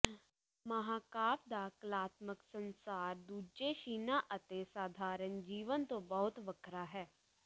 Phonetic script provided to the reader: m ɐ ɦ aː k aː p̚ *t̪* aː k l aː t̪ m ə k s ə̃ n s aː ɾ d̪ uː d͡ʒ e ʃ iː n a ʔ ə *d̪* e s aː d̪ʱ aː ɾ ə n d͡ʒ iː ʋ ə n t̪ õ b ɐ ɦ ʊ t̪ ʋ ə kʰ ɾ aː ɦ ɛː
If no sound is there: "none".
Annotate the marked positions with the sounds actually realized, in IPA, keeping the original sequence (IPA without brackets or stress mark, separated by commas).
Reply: d̪, t̪